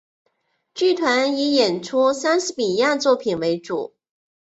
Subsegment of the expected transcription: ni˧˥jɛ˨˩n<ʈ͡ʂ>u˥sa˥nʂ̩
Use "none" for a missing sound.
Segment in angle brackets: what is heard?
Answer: ʈ͡ʂʰ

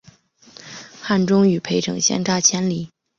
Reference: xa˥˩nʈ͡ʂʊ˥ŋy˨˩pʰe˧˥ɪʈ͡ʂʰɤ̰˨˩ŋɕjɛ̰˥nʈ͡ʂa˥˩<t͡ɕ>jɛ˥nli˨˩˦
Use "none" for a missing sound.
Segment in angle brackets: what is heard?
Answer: t͡ɕʰ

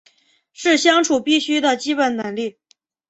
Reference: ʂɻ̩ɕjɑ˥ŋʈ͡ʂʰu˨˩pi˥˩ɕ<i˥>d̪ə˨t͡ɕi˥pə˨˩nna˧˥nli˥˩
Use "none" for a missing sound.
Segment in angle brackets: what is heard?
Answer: y˥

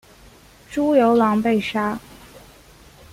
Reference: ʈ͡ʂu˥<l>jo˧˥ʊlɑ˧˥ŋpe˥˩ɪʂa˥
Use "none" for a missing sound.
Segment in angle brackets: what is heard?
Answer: none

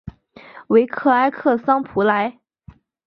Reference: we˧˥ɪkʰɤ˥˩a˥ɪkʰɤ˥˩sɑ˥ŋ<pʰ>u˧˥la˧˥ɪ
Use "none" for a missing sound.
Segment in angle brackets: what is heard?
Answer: pʰ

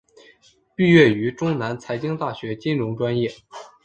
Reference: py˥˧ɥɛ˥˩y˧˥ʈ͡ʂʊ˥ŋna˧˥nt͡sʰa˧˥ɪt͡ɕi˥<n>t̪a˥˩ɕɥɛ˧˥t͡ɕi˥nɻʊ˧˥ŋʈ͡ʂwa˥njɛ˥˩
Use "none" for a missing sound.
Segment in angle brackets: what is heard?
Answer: ŋ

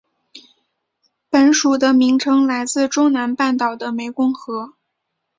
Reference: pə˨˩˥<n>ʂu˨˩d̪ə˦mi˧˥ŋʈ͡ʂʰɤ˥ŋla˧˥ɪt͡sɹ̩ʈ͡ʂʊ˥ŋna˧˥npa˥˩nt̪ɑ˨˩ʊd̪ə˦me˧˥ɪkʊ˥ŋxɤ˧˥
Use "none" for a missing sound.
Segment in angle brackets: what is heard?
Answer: n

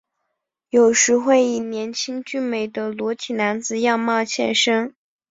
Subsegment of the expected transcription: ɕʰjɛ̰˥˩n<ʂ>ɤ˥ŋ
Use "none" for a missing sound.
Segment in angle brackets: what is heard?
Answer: ʂ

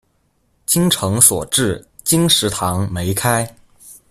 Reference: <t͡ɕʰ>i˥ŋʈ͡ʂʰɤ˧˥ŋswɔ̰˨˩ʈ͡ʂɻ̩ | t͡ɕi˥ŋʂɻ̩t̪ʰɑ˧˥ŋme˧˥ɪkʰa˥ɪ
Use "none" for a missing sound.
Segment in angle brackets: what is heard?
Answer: t͡ɕ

